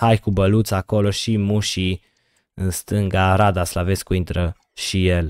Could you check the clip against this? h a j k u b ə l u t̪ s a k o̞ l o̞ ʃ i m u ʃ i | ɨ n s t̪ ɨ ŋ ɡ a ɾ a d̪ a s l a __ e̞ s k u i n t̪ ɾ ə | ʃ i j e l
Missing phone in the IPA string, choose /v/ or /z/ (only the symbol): v